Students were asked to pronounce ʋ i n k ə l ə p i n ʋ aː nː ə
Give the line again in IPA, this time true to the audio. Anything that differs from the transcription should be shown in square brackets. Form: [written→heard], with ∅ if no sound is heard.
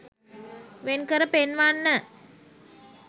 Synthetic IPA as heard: ʋ [i→e] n k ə [l→ɾ] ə p [i→e] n ʋ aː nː ə